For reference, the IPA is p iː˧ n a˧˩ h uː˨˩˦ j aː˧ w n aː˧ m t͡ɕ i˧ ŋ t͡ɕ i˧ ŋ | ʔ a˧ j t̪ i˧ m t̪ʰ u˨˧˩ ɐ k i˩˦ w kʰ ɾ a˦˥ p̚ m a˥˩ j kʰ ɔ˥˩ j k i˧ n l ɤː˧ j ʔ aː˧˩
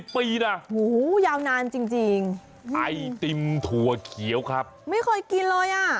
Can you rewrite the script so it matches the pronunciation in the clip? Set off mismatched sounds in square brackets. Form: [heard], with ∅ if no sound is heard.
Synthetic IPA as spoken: p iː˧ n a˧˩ h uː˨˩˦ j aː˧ w n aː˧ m t͡ɕ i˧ ŋ t͡ɕ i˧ ŋ | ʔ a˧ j t̪ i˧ m t̪ʰ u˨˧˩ ɐ [kʰ] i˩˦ w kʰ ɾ a˦˥ p̚ m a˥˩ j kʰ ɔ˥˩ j k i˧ n l ɤː˧ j ʔ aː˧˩